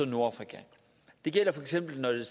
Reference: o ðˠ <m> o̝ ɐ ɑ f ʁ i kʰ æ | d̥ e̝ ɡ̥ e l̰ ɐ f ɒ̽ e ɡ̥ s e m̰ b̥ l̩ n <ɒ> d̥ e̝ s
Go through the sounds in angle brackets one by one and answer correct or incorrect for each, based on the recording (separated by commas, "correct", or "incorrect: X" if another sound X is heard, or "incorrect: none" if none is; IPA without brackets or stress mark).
incorrect: n, correct